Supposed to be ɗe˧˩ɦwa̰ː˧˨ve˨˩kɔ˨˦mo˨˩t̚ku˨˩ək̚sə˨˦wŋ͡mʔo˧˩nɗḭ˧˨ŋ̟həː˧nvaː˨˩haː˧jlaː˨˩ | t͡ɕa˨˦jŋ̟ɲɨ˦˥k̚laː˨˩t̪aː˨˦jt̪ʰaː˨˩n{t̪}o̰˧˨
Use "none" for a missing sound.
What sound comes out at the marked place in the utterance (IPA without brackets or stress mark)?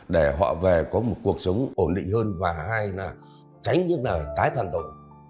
t̪